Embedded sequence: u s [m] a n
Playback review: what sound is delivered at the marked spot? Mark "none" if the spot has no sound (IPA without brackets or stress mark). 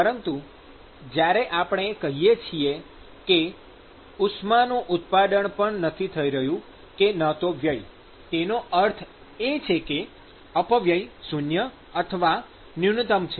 m